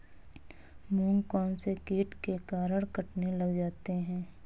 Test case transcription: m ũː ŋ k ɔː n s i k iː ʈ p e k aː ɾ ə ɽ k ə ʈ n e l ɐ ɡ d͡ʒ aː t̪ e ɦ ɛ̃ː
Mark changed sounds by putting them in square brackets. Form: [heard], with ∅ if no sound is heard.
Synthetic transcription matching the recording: m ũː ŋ k ɔː n s [e] k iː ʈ [k] e k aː ɾ ə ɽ k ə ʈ n e l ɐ ɡ d͡ʒ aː t̪ e ɦ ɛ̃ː